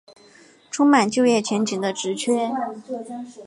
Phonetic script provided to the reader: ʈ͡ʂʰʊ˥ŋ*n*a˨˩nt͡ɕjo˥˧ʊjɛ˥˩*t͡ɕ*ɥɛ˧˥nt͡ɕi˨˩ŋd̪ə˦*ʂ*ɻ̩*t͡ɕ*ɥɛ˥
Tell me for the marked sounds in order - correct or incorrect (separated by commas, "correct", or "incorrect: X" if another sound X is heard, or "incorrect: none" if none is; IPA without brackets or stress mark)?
incorrect: m, incorrect: t͡ɕʰ, incorrect: ʈ͡ʂ, incorrect: t͡ɕʰ